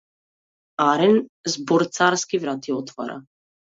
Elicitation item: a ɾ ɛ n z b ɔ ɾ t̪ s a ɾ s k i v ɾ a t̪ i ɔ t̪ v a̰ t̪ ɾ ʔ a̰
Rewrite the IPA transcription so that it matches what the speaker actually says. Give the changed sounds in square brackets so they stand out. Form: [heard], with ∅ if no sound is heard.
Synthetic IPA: a ɾ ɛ n z b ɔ ɾ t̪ s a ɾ s k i v ɾ a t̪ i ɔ t̪ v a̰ [∅] ɾ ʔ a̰